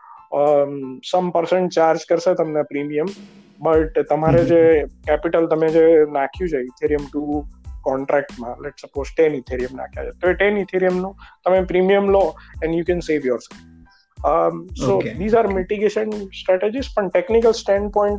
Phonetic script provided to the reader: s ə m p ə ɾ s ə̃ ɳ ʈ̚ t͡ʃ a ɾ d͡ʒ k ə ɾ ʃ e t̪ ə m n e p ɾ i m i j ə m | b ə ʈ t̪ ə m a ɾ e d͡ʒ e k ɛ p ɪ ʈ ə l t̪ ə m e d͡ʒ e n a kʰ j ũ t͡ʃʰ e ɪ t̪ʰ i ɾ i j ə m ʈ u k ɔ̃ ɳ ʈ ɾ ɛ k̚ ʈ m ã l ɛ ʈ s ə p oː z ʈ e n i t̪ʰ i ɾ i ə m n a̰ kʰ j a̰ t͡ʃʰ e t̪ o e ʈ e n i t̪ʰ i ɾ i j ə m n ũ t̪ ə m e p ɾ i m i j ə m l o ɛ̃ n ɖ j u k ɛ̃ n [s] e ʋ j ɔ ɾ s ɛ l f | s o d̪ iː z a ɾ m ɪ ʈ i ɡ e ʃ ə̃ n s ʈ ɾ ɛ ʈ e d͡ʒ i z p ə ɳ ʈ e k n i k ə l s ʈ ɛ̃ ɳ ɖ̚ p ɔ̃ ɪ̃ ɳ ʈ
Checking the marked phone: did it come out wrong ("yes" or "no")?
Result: no